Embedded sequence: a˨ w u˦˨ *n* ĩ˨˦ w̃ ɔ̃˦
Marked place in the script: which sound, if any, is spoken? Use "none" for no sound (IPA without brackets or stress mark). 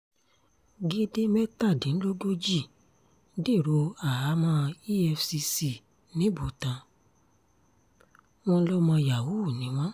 n